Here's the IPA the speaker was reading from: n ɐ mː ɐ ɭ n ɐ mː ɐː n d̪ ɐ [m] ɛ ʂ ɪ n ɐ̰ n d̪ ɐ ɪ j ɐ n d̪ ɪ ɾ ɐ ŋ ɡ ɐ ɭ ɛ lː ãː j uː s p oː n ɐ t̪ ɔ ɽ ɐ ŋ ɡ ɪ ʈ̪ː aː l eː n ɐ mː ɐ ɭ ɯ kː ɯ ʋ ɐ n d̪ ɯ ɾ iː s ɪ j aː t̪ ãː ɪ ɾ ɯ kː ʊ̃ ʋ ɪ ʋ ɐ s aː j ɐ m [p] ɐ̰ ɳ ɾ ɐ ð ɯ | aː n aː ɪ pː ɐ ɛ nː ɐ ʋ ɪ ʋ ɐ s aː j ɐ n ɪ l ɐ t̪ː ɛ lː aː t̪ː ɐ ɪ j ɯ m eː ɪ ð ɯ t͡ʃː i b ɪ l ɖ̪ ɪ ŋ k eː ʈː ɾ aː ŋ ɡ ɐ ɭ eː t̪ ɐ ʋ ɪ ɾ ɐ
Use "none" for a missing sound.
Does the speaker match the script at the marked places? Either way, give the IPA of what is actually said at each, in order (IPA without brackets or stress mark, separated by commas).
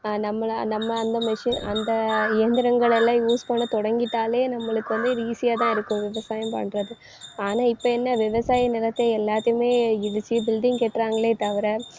m, p